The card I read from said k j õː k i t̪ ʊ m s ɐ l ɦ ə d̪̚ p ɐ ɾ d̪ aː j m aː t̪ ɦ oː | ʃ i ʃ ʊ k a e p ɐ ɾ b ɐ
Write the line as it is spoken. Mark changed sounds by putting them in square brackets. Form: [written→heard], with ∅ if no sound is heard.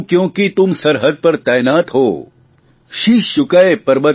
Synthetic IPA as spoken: k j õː k i t̪ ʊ m s ɐ [l→ɾ] ɦ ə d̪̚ p ɐ ɾ [d̪→t̪] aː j [m→n] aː t̪ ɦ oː | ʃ i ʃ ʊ k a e p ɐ ɾ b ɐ